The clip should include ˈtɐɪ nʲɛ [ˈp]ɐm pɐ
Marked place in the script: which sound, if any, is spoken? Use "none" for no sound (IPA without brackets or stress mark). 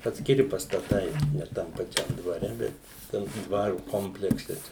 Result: t